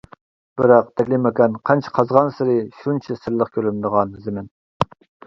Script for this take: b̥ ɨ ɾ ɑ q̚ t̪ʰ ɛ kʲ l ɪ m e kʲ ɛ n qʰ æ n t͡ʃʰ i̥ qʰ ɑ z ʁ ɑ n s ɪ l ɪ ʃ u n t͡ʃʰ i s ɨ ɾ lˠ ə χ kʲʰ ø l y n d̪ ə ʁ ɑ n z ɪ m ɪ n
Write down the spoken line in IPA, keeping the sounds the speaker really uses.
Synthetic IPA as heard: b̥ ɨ ɾ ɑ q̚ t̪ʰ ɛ kʲ l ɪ m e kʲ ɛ n qʰ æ n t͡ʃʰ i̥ qʰ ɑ z ʁ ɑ n s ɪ ɾ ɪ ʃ u n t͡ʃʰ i s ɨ ɾ lˠ ə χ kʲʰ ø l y n d̪ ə ʁ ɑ n z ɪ m ɪ n